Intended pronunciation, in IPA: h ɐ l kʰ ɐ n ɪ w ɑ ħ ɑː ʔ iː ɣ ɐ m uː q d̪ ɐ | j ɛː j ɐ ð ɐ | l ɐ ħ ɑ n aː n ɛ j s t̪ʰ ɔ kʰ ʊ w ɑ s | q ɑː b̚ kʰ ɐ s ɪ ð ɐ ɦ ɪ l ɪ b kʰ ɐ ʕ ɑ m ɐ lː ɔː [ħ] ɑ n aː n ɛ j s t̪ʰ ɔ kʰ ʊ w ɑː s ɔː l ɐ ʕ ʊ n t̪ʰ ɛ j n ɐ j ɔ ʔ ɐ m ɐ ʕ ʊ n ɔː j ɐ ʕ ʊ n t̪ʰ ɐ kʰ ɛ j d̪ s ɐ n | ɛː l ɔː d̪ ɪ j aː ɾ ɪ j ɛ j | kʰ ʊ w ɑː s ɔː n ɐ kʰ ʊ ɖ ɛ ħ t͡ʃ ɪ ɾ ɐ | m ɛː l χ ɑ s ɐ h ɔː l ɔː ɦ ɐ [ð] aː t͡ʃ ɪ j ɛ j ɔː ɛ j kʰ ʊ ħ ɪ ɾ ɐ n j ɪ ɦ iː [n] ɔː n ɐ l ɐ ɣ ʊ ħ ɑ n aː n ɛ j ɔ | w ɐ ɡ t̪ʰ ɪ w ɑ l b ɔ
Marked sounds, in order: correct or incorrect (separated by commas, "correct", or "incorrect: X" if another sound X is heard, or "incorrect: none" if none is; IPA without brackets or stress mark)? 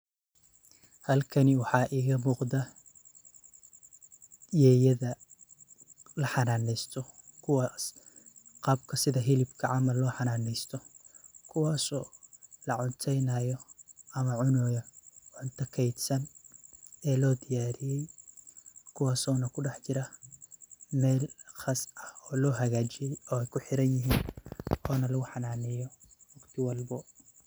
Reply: correct, incorrect: ɣ, correct